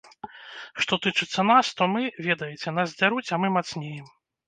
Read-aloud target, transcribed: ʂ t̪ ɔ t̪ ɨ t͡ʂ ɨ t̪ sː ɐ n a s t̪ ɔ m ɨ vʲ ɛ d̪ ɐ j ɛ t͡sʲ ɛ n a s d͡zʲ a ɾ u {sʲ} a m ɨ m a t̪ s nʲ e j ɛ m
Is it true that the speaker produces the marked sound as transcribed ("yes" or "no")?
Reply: no